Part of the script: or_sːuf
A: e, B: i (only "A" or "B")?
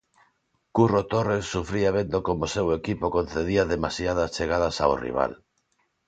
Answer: A